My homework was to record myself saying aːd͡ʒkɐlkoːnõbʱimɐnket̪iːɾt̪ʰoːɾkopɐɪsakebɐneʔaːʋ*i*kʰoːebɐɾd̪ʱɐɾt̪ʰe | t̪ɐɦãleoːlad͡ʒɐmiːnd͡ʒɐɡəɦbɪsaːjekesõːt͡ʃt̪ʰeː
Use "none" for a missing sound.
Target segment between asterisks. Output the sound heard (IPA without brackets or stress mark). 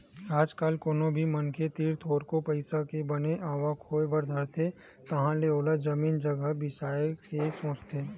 a